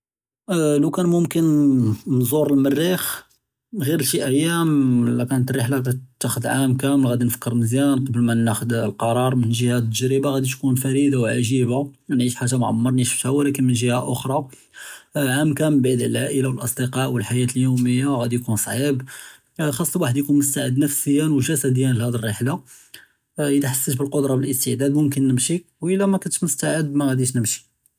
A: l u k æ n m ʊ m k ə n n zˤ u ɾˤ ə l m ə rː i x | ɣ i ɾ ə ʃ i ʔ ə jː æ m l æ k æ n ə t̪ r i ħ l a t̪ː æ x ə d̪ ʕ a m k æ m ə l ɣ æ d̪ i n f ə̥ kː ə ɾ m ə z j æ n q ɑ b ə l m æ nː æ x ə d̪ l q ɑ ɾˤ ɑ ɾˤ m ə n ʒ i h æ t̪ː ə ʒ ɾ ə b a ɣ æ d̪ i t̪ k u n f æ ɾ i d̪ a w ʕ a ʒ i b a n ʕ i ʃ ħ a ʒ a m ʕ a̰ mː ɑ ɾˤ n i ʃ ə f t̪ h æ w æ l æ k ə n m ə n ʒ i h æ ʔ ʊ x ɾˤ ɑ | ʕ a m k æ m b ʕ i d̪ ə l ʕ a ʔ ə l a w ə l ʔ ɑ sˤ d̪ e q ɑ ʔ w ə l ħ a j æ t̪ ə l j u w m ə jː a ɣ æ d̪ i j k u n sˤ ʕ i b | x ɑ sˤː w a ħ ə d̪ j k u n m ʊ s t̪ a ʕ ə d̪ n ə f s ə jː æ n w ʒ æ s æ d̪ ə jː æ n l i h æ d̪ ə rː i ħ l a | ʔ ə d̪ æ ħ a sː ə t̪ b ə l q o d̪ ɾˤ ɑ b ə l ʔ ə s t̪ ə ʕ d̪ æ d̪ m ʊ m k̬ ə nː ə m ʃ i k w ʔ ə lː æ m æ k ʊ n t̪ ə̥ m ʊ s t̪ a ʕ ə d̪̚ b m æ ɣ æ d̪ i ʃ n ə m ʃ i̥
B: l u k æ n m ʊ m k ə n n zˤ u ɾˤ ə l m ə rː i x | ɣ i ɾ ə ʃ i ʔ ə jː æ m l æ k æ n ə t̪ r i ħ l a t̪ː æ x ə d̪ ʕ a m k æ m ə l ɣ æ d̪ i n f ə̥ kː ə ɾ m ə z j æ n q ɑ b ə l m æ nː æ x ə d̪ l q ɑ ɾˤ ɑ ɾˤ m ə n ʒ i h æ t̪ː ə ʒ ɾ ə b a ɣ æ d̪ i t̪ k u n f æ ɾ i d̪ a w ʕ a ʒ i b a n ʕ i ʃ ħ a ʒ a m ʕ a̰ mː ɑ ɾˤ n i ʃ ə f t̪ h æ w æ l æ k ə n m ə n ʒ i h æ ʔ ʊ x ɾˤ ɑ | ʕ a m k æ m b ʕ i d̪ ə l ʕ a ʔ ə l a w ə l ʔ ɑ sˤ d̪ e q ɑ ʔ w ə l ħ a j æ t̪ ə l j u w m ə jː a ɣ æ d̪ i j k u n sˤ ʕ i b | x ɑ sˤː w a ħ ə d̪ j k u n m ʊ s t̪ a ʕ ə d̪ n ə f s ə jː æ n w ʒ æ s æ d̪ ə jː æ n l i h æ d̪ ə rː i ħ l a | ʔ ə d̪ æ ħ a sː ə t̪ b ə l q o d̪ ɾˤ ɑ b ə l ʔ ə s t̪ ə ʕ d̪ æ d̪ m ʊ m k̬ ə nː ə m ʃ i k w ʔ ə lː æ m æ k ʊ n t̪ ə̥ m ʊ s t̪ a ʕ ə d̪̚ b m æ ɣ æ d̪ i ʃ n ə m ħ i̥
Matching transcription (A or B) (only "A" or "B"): A